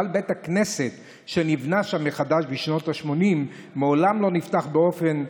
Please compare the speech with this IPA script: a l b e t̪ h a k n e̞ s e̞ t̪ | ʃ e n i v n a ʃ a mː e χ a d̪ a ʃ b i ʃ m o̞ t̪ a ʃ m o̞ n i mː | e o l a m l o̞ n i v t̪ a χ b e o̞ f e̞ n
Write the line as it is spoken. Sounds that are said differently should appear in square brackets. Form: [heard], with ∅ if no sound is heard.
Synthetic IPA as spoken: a l b e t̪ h a k n e̞ s e̞ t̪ | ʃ e n i v n a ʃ a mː e χ a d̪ a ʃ b i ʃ [n] o̞ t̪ a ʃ m o̞ n i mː | e o l a m l o̞ n i [f] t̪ a χ b e o̞ f e̞ n